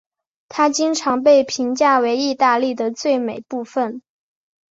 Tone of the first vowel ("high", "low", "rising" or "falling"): high